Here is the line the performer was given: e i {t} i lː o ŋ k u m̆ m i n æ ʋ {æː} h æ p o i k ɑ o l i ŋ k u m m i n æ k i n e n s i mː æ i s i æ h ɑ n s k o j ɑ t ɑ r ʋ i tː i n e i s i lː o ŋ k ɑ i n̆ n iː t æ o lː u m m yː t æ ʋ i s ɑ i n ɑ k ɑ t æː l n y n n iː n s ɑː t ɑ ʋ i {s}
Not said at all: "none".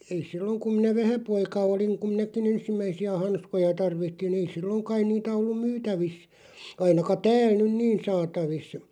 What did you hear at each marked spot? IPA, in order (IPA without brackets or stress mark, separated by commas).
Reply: s, æ, s